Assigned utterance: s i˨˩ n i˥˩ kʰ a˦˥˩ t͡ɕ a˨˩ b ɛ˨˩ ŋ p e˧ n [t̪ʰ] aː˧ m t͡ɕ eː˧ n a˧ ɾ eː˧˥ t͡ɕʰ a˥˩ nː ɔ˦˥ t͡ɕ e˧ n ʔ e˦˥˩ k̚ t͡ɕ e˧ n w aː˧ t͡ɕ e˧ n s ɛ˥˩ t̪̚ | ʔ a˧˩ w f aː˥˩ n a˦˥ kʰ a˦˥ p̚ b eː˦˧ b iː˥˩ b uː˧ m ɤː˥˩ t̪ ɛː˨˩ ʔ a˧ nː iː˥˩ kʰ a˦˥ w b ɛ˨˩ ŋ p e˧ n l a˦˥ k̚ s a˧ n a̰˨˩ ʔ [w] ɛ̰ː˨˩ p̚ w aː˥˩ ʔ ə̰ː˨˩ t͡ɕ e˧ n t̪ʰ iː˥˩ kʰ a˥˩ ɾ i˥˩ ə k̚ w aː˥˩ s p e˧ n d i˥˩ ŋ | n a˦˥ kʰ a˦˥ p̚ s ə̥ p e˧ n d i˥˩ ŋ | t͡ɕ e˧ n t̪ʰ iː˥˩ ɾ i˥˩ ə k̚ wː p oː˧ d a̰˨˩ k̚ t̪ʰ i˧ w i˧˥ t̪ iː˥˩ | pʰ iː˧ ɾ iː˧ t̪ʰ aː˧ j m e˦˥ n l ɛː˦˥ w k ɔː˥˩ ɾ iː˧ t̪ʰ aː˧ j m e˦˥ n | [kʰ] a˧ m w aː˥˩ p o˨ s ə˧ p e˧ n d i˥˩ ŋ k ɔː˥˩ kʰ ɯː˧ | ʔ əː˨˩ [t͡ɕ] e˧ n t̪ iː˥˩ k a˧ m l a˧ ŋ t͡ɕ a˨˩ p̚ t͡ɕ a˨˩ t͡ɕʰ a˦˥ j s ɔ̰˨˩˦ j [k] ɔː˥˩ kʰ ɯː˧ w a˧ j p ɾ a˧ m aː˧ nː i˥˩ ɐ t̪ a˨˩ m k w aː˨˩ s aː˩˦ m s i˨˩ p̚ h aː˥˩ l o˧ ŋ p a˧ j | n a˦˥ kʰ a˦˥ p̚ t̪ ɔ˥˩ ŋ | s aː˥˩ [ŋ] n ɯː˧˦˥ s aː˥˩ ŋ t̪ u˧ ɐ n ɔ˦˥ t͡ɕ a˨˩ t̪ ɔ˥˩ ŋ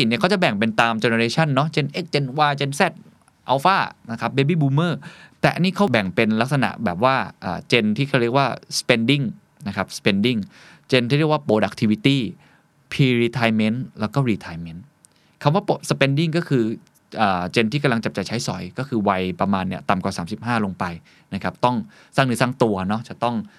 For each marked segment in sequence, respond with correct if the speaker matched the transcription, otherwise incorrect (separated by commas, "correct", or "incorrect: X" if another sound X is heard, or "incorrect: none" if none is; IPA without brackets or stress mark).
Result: incorrect: t̪, incorrect: b, correct, correct, correct, correct